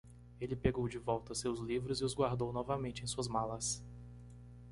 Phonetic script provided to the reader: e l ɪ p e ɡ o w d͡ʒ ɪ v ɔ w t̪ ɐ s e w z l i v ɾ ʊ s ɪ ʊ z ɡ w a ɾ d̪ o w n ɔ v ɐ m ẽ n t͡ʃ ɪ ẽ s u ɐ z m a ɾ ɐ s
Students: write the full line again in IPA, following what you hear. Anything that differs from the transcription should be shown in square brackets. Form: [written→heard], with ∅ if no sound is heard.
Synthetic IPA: e l ɪ p e ɡ o w d͡ʒ ɪ v ɔ w t̪ ɐ s e w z l i v ɾ ʊ [s→z] ɪ ʊ z ɡ w a ɾ d̪ o w n ɔ v ɐ m ẽ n t͡ʃ ɪ ẽ s u ɐ z m a [ɾ→l] ɐ s